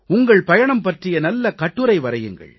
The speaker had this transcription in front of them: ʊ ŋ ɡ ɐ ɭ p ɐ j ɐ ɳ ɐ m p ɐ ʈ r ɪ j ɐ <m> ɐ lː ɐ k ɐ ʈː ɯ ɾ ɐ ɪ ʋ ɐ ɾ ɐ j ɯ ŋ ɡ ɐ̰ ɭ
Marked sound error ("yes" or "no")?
yes